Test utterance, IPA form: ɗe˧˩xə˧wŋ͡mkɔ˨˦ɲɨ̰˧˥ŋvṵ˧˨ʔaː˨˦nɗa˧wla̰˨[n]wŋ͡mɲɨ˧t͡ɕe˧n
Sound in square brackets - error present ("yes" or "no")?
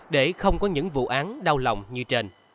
yes